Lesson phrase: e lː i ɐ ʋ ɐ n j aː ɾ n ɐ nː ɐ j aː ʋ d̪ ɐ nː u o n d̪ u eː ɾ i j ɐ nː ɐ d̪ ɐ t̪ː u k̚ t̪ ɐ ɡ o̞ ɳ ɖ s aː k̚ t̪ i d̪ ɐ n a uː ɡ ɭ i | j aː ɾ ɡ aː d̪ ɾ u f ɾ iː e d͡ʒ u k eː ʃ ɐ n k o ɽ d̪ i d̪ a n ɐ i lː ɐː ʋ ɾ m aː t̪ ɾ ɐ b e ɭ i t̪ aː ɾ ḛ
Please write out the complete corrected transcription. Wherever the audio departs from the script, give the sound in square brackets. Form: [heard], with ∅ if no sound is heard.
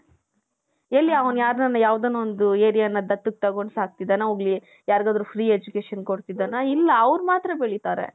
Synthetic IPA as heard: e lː i ɐ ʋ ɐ n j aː ɾ n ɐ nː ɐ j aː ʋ d̪ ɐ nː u o n d̪ u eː ɾ i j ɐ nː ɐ d̪ ɐ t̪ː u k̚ t̪ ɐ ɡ o̞ ɳ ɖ s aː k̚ t̪ i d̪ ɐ n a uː ɡ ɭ i | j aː ɾ ɡ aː d̪ ɾ u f ɾ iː e d͡ʒ u k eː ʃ ɐ n k o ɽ [t̪] i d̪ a n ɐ i lː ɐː ʋ ɾ m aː t̪ ɾ ɐ b e ɭ i t̪ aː ɾ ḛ